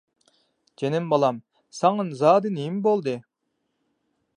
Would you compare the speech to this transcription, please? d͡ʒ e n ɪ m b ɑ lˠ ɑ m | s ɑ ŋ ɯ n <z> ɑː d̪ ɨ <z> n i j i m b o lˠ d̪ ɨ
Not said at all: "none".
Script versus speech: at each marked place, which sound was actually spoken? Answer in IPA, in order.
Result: z, none

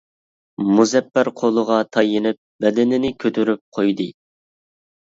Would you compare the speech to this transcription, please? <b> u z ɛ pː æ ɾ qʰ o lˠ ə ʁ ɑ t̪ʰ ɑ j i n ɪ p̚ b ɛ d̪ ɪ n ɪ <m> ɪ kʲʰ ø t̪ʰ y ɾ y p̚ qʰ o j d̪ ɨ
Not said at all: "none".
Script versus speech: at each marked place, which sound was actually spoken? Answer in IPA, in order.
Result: m, n

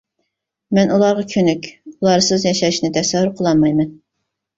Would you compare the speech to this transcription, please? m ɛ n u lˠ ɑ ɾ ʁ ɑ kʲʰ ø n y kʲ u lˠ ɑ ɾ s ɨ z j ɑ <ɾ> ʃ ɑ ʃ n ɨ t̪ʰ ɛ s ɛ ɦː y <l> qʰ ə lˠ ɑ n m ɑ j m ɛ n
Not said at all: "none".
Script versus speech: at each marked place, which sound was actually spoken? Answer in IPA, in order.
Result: none, ɾ

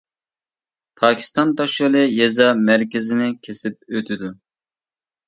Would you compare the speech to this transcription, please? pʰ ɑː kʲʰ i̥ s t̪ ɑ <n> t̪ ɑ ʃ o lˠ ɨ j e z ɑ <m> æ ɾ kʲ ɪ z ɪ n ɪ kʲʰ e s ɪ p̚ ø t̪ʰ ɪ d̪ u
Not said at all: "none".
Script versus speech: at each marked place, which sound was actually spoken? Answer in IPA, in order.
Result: n, m

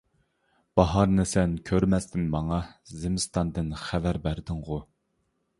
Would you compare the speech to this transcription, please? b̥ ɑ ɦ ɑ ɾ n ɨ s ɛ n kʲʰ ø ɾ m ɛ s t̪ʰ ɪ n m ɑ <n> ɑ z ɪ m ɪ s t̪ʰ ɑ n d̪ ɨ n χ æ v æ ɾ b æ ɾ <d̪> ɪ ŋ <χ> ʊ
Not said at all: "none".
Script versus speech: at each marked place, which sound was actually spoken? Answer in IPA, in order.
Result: ŋ, d̪, ʁ

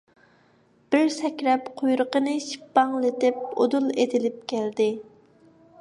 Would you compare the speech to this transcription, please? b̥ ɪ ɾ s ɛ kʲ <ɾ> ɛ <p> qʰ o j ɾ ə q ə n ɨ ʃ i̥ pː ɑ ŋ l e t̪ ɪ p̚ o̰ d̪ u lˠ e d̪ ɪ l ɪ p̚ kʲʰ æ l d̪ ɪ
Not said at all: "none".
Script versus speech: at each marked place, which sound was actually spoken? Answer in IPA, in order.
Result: ɾ, p

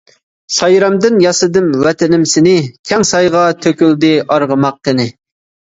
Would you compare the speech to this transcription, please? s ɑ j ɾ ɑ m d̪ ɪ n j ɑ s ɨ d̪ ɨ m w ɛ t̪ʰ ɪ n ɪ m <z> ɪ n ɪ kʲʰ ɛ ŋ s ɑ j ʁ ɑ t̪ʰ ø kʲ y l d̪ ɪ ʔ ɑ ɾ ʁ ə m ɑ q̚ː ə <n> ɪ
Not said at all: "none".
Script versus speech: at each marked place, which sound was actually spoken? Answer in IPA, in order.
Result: s, n

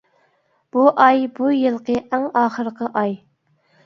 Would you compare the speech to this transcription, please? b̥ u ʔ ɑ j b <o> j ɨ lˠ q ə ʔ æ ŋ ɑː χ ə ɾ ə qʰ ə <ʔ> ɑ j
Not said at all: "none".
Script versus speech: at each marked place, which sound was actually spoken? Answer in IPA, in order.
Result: u, ʔ

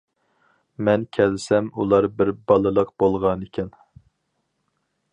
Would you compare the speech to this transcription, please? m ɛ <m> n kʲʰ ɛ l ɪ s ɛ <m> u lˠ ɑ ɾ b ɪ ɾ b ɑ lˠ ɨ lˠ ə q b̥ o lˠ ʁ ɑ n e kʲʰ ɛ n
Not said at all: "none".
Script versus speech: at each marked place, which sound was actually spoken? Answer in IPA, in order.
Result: none, m

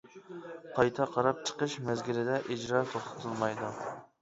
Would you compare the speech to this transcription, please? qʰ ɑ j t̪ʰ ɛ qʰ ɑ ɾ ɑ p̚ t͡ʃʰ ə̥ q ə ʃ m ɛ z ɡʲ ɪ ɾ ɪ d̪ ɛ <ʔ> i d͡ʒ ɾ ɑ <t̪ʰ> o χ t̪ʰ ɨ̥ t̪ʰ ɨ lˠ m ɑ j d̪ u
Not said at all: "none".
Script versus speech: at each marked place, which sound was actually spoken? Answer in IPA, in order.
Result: ʔ, t̪ʰ

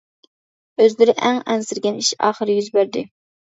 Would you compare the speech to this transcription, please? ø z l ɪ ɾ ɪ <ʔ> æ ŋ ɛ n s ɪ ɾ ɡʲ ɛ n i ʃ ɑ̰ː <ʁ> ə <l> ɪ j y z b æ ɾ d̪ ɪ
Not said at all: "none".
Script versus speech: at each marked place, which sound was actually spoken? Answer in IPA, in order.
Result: ʔ, χ, ɾ

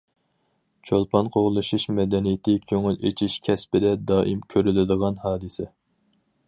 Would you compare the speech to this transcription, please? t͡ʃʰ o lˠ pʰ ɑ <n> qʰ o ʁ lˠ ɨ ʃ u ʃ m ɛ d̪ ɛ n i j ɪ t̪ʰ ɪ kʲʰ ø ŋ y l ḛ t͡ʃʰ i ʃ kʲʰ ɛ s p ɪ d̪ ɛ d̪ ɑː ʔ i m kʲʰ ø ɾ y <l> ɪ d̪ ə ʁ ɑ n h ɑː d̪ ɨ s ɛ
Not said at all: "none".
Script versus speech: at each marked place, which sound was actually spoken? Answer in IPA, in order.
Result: n, l

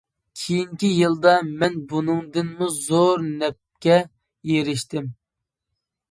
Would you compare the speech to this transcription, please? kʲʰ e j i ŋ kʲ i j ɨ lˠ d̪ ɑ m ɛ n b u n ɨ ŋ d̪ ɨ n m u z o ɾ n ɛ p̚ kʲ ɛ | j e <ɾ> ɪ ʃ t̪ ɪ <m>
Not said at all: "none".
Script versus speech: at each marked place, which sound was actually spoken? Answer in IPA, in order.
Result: ɾ, m

